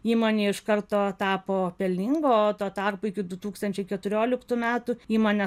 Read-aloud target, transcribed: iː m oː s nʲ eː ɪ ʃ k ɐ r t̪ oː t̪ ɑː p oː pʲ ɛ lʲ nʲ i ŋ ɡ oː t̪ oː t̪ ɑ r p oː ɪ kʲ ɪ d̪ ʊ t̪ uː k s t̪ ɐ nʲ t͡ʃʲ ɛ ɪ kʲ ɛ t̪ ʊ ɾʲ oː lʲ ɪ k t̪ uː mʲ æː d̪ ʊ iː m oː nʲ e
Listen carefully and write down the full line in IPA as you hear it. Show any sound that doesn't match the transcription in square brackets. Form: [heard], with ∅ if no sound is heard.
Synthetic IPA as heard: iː m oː [∅] nʲ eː ɪ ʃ k ɐ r t̪ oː t̪ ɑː p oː pʲ ɛ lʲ nʲ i ŋ ɡ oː t̪ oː t̪ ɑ r p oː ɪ kʲ ɪ d̪ ʊ t̪ uː k s t̪ ɐ nʲ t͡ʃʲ ɛ ɪ kʲ ɛ t̪ ʊ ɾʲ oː lʲ ɪ k t̪ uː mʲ æː [t̪] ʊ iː m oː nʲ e